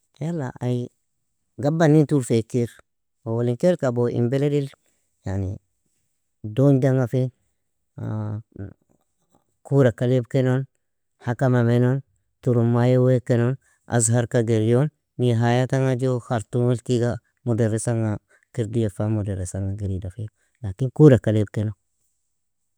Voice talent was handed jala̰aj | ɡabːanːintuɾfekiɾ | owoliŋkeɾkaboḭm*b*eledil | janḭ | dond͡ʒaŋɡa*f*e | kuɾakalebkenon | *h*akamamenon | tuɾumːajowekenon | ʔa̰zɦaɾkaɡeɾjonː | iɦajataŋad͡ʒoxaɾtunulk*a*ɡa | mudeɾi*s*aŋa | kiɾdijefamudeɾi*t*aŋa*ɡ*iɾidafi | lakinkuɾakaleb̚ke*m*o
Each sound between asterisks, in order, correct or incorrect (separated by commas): correct, correct, correct, incorrect, correct, incorrect, correct, incorrect